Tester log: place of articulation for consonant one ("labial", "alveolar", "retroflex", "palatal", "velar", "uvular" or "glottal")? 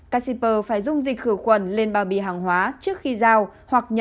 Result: velar